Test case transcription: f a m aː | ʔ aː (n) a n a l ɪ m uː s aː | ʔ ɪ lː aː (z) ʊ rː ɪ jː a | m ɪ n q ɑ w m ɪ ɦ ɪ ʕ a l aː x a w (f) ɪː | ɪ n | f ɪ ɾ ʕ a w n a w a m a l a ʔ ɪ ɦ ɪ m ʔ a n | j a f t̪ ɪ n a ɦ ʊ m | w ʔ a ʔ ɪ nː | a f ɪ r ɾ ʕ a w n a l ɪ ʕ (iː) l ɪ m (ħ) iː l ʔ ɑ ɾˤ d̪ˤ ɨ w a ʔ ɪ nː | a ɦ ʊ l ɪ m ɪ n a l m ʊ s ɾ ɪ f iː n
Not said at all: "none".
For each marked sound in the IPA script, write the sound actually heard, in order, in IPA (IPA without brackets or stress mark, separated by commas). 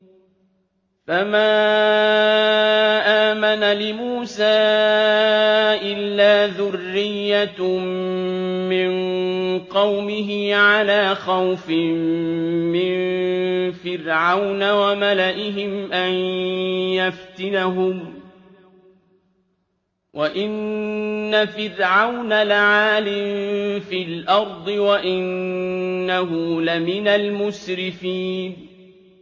m, ð, f, aː, f